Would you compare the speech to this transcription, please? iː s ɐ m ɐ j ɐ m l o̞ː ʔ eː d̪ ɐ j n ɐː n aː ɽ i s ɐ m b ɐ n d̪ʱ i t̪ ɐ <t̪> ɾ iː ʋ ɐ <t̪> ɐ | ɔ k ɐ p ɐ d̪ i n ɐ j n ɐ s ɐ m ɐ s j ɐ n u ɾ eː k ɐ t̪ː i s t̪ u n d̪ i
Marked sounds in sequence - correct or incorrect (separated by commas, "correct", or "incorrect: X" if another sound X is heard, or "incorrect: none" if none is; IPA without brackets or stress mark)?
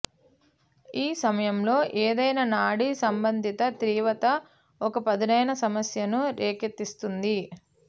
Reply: correct, correct